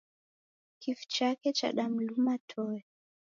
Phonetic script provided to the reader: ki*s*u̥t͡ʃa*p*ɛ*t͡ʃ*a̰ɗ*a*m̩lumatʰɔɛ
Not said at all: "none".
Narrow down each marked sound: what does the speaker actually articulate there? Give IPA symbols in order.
f, k, t͡ʃ, a

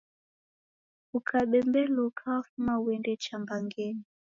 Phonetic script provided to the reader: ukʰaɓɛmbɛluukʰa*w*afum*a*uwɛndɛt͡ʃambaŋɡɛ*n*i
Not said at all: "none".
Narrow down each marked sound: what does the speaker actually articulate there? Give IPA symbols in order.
w, a, n

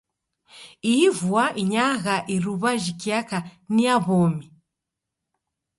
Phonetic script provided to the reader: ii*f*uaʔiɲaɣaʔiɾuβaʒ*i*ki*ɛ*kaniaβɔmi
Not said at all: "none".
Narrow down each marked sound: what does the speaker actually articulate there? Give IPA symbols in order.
v, i, a

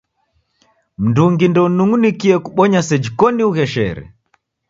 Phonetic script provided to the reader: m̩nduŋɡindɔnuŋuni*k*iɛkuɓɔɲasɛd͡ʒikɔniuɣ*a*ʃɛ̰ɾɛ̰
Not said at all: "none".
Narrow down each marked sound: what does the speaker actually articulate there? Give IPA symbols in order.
k, ɛ

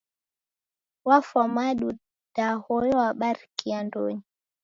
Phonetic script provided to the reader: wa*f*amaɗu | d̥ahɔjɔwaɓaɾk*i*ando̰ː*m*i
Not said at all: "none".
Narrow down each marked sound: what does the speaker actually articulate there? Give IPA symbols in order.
f, i, ɲ

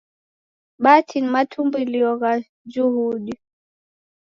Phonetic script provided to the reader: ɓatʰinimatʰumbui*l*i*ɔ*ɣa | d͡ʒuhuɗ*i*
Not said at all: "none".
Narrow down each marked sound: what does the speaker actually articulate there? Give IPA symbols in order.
l, ɔ, i

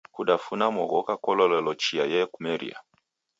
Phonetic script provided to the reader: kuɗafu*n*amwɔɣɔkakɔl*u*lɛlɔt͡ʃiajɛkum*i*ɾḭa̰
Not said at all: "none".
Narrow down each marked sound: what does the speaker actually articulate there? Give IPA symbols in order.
n, ɔ, ɛ

